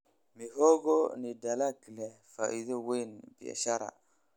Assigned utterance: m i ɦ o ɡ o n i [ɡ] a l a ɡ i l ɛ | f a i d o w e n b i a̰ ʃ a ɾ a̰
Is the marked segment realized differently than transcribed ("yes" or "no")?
yes